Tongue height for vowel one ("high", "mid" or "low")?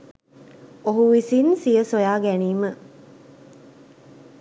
mid